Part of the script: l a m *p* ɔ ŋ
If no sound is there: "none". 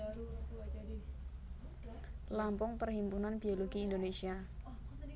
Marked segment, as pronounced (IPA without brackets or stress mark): p